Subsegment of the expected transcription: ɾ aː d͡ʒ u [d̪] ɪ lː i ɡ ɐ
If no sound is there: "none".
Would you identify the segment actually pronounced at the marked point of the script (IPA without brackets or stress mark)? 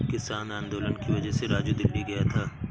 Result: d̪